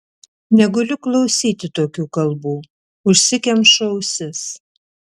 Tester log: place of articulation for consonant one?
alveolar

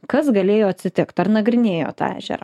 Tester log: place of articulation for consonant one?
velar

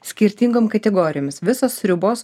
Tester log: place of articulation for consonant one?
alveolar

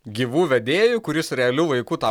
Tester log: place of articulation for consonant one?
velar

